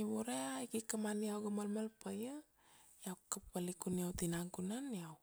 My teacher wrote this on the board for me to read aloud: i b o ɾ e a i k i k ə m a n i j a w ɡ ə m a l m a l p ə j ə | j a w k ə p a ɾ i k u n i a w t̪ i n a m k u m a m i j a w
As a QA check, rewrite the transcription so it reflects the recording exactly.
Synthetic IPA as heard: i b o ɾ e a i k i k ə m a n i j a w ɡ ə m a l m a l p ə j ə | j a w k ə p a l i k u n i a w t̪ i n a ŋ k u n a n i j a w